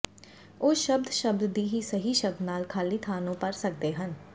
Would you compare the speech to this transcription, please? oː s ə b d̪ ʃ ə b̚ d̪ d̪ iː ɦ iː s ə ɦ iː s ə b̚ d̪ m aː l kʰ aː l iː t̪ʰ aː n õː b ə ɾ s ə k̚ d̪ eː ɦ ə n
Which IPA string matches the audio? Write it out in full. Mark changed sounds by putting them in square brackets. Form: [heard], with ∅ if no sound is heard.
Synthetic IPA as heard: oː [ʃ] ə b d̪ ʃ ə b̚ d̪ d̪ iː ɦ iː s ə ɦ iː [ʃ] ə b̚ d̪ [n] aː l kʰ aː l iː t̪ʰ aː n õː [p] ə ɾ s ə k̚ d̪ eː ɦ ə n